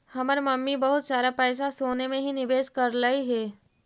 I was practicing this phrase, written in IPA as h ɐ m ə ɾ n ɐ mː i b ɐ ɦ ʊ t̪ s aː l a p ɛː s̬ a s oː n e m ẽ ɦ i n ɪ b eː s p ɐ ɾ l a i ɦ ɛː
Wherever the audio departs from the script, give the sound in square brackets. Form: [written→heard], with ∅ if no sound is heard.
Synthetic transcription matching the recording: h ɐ m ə ɾ [n→m] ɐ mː i b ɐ ɦ ʊ t̪ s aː [l→ɾ] a p ɛː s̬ a s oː n e m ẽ ɦ i n ɪ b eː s [p→k] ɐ ɾ l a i ɦ ɛː